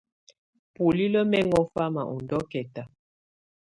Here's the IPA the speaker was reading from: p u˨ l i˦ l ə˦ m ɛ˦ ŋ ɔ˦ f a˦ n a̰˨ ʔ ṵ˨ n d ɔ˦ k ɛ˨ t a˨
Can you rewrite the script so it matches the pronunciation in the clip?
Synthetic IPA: p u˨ l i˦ l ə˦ m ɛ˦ ŋ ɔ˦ f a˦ m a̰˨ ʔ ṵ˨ n d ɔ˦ k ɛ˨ t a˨

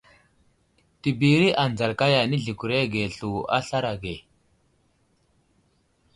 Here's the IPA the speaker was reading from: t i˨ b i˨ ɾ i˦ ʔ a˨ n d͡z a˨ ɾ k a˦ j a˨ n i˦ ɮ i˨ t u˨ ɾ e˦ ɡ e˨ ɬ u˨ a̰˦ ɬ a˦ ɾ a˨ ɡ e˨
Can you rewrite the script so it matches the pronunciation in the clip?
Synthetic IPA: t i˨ b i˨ ɾ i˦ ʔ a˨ n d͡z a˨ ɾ k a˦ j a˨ n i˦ ɮ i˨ k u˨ ɾ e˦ ɡ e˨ ɬ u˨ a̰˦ ɬ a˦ ɾ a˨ ɡ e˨

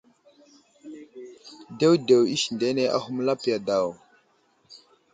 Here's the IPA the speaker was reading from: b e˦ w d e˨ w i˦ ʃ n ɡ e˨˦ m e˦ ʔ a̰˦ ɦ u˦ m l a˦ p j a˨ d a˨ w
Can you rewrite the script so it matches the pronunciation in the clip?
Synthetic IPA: d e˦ w d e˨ w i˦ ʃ n d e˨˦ n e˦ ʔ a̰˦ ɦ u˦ m l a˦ p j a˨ d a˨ w

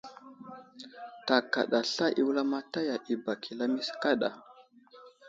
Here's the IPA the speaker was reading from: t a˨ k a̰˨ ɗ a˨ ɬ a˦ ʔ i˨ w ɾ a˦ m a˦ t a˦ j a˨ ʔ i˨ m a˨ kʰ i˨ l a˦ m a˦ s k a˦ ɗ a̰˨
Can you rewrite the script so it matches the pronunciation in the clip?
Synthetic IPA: t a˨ k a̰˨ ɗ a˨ ɬ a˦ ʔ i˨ w l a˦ m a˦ t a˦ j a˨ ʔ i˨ b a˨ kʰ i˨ l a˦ m i˦ s k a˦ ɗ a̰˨

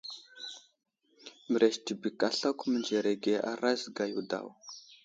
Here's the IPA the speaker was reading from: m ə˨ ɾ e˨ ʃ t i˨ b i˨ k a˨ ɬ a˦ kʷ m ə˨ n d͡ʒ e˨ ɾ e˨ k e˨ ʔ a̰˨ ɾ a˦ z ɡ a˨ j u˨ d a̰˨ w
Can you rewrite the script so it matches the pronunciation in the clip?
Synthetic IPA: m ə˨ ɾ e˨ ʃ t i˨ b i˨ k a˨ ɬ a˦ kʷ m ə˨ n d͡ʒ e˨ ɾ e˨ ɡ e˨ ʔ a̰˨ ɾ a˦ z ɡ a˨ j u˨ d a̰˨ w

